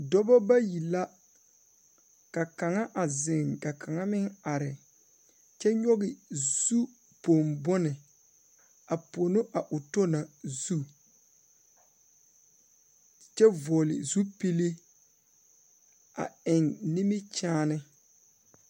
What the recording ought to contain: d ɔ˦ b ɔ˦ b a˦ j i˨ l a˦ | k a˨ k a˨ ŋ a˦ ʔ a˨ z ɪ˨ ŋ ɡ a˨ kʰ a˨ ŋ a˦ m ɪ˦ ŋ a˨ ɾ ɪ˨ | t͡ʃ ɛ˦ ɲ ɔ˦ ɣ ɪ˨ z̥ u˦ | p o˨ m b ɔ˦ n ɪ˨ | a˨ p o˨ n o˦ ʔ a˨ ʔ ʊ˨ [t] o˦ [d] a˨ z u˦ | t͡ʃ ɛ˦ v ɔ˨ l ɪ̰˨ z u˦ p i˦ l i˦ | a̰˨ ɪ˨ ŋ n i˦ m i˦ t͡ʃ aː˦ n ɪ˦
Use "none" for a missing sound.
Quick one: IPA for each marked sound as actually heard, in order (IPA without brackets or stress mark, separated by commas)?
t, n